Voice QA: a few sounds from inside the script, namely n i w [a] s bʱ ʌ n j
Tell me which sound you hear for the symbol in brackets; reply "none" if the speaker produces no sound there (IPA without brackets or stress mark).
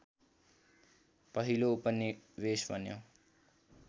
e